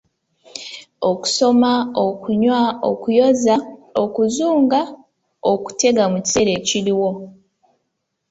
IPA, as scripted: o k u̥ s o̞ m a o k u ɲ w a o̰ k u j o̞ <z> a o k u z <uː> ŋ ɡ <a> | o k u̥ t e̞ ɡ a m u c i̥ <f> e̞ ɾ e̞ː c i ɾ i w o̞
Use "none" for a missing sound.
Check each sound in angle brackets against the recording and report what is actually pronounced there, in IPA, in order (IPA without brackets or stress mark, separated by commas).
z, uː, a, s